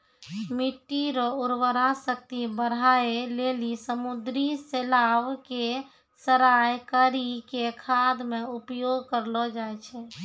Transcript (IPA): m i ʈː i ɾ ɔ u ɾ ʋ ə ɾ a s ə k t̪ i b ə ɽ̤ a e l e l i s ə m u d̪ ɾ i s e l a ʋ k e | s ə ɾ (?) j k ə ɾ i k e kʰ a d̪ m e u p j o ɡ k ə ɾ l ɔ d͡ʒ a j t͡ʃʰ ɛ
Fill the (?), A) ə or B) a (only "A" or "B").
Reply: B